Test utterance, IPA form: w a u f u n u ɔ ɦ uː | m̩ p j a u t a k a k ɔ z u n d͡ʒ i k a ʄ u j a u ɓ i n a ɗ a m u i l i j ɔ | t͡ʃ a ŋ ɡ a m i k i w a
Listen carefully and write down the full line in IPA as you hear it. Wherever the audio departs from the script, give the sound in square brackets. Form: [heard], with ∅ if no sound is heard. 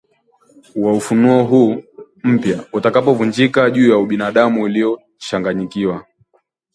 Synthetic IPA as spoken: w a u f u n u ɔ ɦ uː | m̩ p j a u t a k a [p] ɔ [v] u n d͡ʒ i k a ʄ [uː] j a u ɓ i n a ɗ a m u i l i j ɔ | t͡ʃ a ŋ ɡ a [ɲ] i k i w a